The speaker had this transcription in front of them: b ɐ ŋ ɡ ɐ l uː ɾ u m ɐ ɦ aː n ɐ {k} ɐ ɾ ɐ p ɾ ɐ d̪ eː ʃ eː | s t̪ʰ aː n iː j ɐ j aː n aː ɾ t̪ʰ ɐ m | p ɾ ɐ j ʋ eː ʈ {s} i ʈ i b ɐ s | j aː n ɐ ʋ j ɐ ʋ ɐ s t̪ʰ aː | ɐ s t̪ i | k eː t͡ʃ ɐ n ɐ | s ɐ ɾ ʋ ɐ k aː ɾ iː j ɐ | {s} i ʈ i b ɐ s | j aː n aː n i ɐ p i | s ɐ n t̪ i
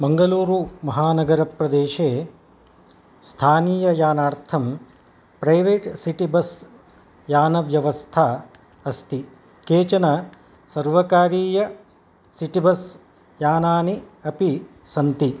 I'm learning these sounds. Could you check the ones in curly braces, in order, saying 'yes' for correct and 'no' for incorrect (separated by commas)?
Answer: no, yes, yes